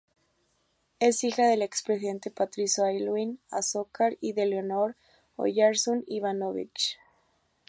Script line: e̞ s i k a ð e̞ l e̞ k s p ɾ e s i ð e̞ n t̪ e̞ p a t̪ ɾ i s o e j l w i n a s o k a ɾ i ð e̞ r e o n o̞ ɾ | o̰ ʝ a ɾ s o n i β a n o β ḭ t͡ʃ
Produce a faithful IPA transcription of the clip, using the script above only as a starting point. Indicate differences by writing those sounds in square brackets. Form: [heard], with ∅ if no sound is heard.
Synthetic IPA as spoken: e̞ s i [x] a ð e̞ l e̞ k s p ɾ e s i ð e̞ n t̪ e̞ p a t̪ ɾ i s o [a] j l w i n a s o k a ɾ i ð e̞ [l] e o n o̞ ɾ | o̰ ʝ a ɾ s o n i β a n o β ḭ t͡ʃ